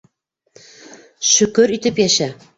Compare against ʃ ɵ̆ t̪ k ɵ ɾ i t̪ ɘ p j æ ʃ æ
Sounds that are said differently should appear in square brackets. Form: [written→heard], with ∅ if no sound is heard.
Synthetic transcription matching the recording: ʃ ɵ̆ [t̪→∅] k ɵ ɾ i t̪ ɘ p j æ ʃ æ